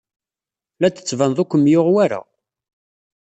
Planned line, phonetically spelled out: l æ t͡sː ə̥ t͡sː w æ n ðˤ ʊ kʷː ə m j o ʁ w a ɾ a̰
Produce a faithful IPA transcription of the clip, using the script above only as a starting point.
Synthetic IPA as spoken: l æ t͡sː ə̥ t͡sː v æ n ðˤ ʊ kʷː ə m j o ʁ w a ɾ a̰

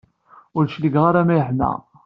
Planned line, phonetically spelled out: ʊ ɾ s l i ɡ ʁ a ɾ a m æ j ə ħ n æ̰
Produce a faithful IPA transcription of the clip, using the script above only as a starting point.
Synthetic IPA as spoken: ʊ ɾ ʃ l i ɡ ʁ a ɾ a m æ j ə ħ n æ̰

